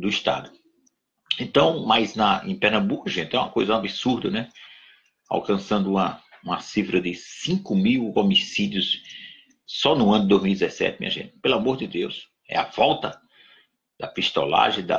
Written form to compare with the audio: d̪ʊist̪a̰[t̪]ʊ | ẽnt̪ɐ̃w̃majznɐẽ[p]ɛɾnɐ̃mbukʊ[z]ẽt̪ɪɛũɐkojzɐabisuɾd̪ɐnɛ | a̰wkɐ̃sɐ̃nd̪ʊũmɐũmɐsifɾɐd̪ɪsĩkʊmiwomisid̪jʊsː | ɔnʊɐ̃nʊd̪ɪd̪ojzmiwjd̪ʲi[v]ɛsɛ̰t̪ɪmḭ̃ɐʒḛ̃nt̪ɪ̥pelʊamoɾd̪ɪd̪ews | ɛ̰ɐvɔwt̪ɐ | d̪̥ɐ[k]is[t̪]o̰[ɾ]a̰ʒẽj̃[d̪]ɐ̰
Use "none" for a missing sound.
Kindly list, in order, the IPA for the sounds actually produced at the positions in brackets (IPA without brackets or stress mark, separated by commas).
d̪, p, ʒ, z, p, t̪, l, d̪